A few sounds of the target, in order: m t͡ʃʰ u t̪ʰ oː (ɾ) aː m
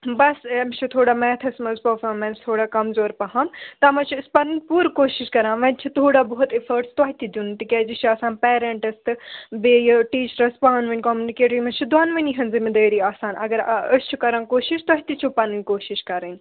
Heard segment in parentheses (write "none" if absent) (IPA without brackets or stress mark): ɽ